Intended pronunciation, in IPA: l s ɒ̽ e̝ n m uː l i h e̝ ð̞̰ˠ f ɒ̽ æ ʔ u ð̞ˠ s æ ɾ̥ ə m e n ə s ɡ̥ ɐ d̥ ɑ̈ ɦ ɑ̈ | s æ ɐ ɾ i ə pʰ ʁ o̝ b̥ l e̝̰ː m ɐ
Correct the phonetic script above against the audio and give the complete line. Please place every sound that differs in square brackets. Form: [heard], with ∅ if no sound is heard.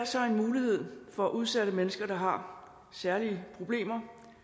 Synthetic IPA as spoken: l s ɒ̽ e̝ n m uː l i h e̝ ð̞̰ˠ f ɒ̽ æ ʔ u ð̞ˠ s æ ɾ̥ ə m e n ə s ɡ̥ ɐ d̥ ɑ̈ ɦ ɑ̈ | s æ ɐ [l] i ə pʰ ʁ o̝ b̥ l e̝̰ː m ɐ